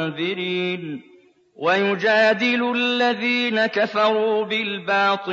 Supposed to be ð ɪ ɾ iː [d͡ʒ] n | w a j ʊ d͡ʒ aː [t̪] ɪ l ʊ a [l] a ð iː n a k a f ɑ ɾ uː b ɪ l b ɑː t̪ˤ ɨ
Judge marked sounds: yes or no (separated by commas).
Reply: no, no, no